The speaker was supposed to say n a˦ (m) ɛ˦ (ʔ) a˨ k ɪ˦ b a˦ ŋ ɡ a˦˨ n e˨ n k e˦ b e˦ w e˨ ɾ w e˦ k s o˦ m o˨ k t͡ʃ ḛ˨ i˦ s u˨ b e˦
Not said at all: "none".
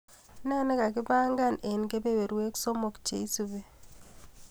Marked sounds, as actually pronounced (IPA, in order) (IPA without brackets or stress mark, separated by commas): n, k